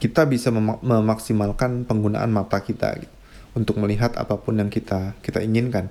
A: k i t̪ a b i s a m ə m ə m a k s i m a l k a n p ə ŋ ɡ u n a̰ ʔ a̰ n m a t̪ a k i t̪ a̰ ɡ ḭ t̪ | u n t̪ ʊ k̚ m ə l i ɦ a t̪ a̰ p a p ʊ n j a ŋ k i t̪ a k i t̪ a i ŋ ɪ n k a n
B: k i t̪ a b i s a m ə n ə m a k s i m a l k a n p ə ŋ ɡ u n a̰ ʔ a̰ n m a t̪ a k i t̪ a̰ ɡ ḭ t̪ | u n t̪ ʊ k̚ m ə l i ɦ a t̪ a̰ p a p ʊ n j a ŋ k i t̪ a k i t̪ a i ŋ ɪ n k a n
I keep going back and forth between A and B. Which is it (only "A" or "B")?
A